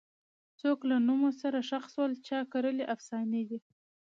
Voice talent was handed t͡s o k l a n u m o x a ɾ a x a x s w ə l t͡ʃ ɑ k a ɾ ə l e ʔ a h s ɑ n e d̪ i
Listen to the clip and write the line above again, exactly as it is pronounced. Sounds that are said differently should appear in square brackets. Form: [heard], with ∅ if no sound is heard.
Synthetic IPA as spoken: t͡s o k l a n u m o [s] a ɾ a [ʃ] a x s w ə l t͡ʃ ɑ k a ɾ ə l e ʔ a [f] s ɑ n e d̪ i